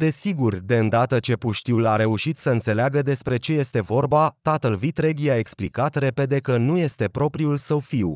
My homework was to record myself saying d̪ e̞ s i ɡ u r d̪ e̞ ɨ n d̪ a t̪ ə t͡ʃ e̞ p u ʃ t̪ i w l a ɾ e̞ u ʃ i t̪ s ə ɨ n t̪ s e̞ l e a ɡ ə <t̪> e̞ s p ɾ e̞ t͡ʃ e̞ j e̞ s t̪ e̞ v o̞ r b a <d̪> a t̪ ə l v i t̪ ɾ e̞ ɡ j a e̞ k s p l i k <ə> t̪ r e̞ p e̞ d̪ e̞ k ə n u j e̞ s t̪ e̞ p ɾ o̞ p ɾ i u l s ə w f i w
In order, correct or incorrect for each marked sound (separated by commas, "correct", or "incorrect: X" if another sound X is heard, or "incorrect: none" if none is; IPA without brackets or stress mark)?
incorrect: d̪, incorrect: t̪, incorrect: a